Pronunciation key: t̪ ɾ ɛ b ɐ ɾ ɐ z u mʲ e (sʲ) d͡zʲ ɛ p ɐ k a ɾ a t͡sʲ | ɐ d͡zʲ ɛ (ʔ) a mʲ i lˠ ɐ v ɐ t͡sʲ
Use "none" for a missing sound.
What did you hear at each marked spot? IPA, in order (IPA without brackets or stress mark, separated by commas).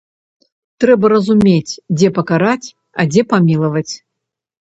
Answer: t͡sʲ, p